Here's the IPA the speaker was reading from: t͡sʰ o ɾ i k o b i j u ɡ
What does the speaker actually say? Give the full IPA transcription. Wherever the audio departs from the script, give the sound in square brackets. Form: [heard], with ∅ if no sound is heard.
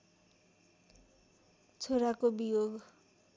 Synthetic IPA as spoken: t͡sʰ o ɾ [a] k o b i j [o] ɡ